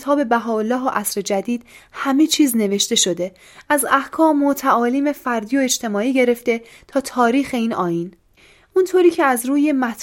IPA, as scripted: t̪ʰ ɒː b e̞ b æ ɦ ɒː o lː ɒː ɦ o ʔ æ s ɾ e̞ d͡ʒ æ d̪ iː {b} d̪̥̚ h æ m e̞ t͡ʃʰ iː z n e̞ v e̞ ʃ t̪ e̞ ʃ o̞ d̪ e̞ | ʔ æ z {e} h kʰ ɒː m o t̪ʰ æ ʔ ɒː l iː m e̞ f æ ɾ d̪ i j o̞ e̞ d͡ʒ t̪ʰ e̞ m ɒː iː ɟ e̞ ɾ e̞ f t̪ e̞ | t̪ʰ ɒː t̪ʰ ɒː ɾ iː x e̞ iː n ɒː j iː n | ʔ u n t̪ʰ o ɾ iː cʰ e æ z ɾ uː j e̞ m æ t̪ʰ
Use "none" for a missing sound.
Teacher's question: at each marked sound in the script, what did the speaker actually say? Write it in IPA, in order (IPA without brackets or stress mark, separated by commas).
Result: none, æ